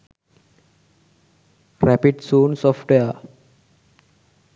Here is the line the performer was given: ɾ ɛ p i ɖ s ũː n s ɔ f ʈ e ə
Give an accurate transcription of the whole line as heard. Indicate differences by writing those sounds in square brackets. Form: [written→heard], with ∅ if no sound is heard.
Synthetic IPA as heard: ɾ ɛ p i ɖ s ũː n s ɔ f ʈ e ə